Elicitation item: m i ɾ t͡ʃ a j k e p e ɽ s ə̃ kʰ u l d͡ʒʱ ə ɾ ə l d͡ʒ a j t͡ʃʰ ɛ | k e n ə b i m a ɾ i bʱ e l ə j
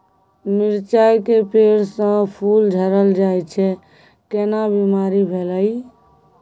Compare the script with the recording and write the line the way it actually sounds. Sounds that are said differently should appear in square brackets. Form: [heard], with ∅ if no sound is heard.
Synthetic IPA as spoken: m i ɾ t͡ʃ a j k e p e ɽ s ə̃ [pʰ] u l d͡ʒʱ ə ɾ ə l d͡ʒ a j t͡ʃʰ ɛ | k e n [a] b i m a ɾ i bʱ e l ə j